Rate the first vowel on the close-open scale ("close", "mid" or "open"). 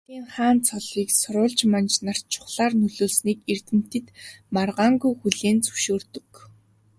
close